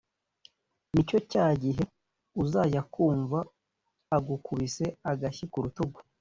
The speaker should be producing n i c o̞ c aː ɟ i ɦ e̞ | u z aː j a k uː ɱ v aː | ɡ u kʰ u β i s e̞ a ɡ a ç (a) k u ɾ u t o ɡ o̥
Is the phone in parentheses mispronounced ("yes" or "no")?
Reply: yes